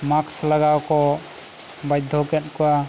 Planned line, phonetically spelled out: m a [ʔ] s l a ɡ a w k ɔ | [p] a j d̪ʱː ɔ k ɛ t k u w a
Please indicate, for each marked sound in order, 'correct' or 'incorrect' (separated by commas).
incorrect, incorrect